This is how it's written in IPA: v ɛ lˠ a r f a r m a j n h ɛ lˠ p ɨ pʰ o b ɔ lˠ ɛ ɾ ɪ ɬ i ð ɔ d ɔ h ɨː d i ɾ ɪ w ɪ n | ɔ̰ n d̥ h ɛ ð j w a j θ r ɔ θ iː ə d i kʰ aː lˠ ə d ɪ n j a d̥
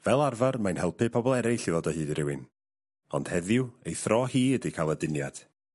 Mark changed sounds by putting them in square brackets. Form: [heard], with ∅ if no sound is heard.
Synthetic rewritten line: v ɛ lˠ a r [v] a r m a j n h ɛ lˠ p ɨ pʰ [ɔ] b ɔ lˠ ɛ ɾ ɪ ɬ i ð ɔ d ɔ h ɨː d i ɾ ɪ w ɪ n | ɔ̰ n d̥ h ɛ ð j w [e] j θ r ɔ [h] iː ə d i kʰ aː lˠ ə d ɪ n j a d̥

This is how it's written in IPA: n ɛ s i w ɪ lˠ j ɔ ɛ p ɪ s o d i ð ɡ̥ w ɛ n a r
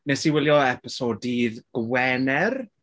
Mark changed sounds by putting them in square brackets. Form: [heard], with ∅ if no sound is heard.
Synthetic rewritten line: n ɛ s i w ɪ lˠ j ɔ ɛ p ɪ s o d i ð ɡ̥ w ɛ n [ɛ] r

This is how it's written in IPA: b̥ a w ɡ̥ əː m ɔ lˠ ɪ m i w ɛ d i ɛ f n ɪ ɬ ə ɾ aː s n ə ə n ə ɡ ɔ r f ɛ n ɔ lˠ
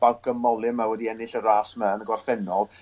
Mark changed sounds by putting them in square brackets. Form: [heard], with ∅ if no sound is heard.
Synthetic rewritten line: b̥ a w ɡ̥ [ə] m ɔ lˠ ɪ m [a] w ɛ d i ɛ [∅] n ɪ ɬ ə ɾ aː s [m] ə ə n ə ɡ ɔ r f ɛ n ɔ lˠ

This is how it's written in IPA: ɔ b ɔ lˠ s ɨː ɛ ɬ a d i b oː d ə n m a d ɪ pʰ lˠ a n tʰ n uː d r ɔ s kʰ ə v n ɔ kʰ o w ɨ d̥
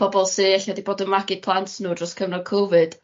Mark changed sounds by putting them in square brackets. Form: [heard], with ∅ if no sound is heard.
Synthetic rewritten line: ɔ b ɔ lˠ s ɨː ɛ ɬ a d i b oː d ə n m a [ɡ] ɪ pʰ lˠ a n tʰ n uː d r ɔ s kʰ ə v n ɔ kʰ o [v] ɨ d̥

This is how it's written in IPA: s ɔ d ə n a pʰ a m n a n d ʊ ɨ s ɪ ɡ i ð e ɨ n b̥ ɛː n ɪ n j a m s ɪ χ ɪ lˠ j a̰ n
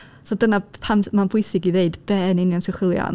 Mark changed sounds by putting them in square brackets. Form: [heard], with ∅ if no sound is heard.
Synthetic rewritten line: s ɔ d ə n a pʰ a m [m] a n [b] ʊ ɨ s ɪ ɡ i ð e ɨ [d] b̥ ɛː n ɪ n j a [n] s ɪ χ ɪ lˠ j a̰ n

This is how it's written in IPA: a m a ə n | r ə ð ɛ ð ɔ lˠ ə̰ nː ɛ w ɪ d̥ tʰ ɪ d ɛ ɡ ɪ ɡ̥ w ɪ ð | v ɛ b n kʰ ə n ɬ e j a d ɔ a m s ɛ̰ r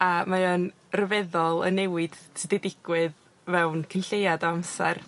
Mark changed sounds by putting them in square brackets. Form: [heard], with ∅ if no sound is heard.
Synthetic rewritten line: a m a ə n | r ə [v] ɛ ð ɔ lˠ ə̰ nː ɛ w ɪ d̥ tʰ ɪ d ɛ [d] ɪ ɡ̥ w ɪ ð | v ɛ [w] n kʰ ə n ɬ e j a d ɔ a m s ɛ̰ r

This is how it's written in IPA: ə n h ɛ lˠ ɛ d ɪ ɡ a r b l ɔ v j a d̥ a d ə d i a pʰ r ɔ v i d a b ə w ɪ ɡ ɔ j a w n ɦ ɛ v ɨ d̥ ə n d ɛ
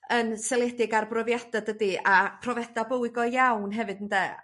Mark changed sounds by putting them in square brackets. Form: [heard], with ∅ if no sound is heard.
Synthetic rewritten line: ə n [s] ɛ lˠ ɛ d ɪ ɡ a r b [r] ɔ v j a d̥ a d ə d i a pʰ r ɔ v [ɛ] d a b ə w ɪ ɡ ɔ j a w n ɦ ɛ v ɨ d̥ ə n d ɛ

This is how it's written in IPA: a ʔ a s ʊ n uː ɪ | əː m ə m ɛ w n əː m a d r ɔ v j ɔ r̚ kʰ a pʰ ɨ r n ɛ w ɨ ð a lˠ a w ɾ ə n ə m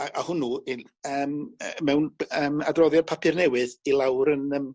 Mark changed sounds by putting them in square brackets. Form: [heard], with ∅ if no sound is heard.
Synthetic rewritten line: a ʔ a [h] ʊ n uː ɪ | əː m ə m ɛ w n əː m a d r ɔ [ð] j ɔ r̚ [pʰ] a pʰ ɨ r n ɛ w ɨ ð [i] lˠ a w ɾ ə n ə m

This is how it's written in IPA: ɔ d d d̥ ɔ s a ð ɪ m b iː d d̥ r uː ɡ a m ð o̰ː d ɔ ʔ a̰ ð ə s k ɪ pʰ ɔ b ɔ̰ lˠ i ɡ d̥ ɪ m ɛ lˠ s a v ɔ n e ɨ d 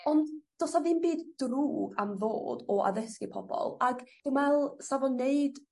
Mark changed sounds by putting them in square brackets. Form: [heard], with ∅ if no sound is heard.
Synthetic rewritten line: ɔ [n] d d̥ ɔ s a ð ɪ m b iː d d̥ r uː ɡ a m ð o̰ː d ɔ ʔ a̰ ð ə s k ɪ pʰ ɔ b ɔ̰ lˠ [a] ɡ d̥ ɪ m ɛ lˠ s a v ɔ n e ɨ d

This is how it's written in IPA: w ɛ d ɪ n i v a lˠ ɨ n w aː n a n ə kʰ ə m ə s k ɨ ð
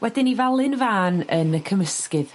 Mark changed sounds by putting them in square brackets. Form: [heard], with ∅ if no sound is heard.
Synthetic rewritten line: w ɛ d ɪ n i v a lˠ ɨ n [v] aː n [ə] n ə kʰ ə m ə s k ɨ ð

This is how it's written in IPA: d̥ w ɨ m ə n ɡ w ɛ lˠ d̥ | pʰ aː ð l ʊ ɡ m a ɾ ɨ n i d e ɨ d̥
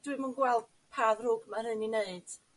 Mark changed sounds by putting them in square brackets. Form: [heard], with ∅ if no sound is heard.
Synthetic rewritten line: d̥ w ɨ m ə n ɡ w ɛ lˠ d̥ | pʰ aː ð [r] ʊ ɡ m a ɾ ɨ n i [n] e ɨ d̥

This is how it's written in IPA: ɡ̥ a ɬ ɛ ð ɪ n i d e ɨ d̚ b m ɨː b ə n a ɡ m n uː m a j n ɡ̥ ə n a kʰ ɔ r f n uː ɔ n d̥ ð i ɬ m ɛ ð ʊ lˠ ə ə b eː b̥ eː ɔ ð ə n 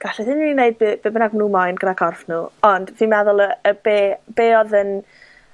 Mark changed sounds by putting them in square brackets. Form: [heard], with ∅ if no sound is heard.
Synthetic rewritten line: ɡ̥ a ɬ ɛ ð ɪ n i [n] e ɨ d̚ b [b] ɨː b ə n a ɡ m n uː m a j n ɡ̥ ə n a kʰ ɔ r f n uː ɔ n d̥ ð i [∅] m ɛ ð ʊ lˠ ə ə b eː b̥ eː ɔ ð ə n

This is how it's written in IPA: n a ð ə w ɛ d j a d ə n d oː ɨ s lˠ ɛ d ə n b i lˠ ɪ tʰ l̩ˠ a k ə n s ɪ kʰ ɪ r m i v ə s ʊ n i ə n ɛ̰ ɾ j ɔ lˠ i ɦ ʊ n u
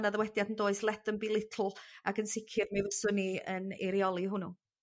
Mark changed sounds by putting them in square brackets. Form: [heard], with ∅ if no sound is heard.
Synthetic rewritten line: n a ð ə w ɛ d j a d ə n d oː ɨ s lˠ ɛ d ə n b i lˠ ɪ tʰ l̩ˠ a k ə n s ɪ kʰ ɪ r m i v ə s ʊ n i ə n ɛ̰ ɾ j ɔ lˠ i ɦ ʊ n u

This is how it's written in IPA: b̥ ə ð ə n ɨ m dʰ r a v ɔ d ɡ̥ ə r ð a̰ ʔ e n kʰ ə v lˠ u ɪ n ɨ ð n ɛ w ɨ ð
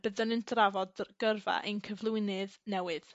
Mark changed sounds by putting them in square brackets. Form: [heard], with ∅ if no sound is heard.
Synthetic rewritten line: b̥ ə ð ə n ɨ [n] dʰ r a v ɔ d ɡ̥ ə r [v] a̰ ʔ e n kʰ ə v lˠ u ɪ n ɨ ð n ɛ w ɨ ð

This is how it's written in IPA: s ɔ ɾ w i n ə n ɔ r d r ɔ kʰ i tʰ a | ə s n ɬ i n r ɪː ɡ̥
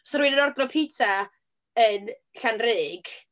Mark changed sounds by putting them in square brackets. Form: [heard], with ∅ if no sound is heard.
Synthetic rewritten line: s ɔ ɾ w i n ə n ɔ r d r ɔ [pʰ] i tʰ a | ə [∅] n ɬ [a] n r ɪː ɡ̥

